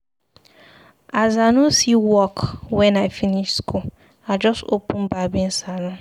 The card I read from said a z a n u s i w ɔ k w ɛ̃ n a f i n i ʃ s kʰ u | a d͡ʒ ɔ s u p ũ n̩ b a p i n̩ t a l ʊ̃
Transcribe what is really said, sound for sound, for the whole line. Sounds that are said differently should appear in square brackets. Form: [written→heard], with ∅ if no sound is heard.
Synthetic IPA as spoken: a z a n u s i w ɔ k w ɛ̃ n a f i n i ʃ s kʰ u | a d͡ʒ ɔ s [u→o] p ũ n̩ b a [p→b] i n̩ [t→s] a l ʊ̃